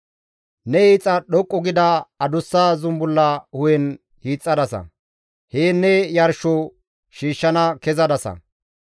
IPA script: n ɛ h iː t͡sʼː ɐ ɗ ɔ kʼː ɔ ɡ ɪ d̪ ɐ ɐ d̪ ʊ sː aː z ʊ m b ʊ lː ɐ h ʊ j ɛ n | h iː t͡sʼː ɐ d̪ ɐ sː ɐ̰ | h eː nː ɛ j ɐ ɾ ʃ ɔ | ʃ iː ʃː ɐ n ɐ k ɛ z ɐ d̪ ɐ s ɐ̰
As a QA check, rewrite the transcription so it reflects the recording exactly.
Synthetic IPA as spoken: n ɛ h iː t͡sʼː ɐ ɗ ɔ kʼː ɔ ɡ ɪ d̪ ɐ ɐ d̪ ʊ sː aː z ʊ m b ʊ lː ɐ h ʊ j ɛ n | h iː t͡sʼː ɐ d̪ ɐ s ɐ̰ | h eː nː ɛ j ɐ ɾ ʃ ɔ | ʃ iː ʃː ɐ n ɐ k ɛ z ɐ d̪ ɐ s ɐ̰

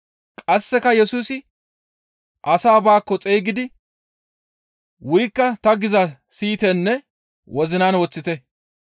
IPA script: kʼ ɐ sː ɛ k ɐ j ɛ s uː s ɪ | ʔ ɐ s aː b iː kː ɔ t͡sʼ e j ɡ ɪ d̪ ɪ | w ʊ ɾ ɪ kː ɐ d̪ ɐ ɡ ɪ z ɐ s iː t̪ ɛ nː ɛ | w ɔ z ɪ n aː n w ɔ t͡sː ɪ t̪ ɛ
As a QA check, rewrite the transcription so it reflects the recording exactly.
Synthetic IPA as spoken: kʼ ɐ sː ɛ k ɐ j ɛ s uː s ɪ | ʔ ɐ s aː b aː kː ɔ t͡sʼ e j ɡ ɪ d̪ ɪ | w ʊ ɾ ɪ kː ɐ t̪ ɐ ɡ ɪ z ɐ s iː t̪ ɛ nː ɛ | w ɔ z ɪ n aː n w ɔ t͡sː ɪ t̪ ɛ

